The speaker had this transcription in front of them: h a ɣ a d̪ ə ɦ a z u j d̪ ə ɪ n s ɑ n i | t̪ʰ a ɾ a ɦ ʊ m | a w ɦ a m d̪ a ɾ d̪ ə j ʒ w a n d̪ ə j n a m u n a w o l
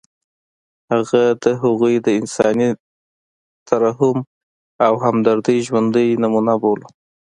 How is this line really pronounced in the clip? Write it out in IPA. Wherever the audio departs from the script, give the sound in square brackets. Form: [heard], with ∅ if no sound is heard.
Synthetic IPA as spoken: h a ɣ a d̪ ə ɦ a [ɣ] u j d̪ ə ɪ n s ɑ n i | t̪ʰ a ɾ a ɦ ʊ m | a w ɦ a m d̪ a ɾ d̪ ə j ʒ w a n d̪ ə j n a m u n a [b] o l